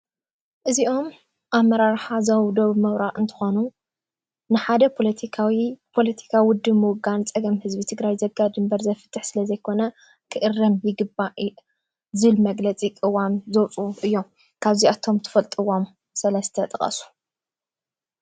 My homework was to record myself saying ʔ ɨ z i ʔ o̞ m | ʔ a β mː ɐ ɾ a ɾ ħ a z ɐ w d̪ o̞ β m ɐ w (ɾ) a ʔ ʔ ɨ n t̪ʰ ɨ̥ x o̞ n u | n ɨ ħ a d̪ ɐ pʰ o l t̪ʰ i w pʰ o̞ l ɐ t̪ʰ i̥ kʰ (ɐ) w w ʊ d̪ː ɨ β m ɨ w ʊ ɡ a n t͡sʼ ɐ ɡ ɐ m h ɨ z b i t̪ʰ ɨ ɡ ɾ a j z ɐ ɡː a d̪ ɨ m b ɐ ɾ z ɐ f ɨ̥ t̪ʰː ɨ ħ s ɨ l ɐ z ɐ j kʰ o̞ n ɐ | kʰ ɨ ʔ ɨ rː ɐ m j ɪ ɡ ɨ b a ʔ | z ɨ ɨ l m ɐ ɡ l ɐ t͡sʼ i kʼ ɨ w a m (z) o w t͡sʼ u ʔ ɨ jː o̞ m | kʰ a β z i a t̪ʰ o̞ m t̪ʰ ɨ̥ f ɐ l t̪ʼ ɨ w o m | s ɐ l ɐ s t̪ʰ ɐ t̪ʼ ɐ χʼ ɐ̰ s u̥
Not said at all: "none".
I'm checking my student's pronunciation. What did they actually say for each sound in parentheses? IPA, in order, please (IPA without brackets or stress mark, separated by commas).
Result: ɾ, a, z